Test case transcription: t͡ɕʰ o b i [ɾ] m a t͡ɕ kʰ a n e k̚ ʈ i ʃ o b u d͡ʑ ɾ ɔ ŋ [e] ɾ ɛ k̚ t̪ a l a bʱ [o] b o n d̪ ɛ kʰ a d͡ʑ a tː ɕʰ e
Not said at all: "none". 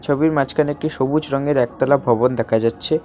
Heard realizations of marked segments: ɾ, e, ɔ

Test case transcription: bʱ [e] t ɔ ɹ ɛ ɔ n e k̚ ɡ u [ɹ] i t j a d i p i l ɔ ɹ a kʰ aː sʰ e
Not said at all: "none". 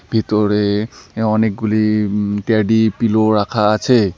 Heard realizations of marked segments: i, l

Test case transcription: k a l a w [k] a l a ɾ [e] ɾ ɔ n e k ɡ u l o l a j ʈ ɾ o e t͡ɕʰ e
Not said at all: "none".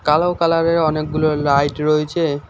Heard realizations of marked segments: k, e

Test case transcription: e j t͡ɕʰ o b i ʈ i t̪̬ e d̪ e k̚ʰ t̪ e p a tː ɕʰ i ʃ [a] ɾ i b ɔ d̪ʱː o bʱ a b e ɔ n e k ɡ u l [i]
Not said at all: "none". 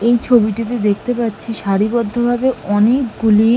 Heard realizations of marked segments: a, i

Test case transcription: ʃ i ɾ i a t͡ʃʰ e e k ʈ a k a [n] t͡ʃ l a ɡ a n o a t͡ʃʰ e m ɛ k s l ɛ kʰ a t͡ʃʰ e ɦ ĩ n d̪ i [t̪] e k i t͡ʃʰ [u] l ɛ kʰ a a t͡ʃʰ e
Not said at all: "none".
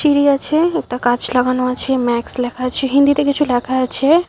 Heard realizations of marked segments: none, t̪, u

